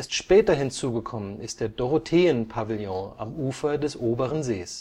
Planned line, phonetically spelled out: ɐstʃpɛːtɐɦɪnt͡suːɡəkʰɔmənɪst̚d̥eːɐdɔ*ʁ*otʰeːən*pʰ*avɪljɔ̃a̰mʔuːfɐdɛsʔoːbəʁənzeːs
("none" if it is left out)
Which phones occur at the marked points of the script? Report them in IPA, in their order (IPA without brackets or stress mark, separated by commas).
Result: ʁ, pʰ